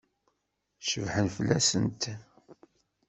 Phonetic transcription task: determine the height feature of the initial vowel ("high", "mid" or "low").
mid